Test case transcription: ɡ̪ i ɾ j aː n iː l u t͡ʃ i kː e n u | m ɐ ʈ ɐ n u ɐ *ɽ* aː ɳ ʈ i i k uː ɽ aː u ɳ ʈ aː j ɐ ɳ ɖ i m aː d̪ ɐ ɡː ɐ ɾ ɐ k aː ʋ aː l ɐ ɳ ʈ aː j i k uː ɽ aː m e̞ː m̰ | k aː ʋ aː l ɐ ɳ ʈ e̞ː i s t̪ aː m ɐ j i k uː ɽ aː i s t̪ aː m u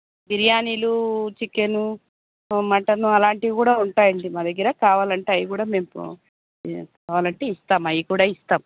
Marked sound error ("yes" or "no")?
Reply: yes